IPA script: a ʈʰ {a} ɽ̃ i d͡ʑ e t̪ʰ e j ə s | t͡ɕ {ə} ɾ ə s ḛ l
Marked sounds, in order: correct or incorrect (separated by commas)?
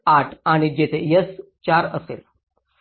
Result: correct, incorrect